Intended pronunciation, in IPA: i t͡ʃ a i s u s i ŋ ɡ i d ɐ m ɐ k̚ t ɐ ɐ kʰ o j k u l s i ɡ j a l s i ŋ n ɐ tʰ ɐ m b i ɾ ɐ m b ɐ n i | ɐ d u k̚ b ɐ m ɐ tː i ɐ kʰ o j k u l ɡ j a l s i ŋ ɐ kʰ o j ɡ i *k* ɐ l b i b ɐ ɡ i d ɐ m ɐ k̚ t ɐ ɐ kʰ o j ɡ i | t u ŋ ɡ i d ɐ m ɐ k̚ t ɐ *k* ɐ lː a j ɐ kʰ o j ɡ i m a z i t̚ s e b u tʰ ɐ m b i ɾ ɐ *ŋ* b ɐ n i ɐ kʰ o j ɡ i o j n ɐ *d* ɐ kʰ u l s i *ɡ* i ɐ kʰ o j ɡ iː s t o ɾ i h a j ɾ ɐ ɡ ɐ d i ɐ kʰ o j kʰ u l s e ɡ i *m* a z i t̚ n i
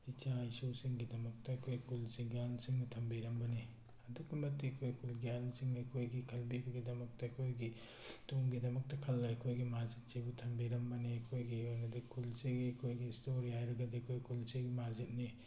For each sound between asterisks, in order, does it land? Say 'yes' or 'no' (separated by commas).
no, no, no, yes, yes, yes